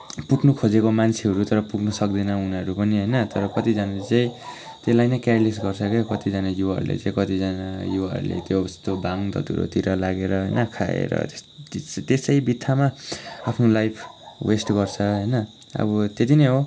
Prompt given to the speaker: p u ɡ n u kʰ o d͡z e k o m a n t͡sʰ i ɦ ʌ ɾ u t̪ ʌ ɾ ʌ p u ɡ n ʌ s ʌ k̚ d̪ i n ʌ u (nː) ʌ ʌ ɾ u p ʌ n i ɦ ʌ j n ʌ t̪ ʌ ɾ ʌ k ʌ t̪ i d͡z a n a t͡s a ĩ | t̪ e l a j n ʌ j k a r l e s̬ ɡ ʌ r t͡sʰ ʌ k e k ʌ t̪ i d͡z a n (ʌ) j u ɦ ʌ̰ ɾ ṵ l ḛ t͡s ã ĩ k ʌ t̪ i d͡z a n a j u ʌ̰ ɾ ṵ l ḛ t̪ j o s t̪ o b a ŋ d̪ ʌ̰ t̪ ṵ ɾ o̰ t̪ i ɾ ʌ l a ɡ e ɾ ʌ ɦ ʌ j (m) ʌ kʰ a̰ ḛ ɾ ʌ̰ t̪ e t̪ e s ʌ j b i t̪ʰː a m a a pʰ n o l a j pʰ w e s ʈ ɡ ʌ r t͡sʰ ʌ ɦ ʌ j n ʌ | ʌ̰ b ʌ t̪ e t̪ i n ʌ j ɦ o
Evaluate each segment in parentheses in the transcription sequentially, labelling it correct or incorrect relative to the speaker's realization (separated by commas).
incorrect, incorrect, incorrect